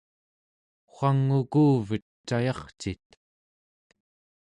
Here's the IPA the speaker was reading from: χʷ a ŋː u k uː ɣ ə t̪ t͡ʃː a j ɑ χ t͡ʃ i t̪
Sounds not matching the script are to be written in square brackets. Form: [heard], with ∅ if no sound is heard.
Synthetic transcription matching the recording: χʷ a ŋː u k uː [v] ə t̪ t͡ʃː a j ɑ χ t͡ʃ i t̪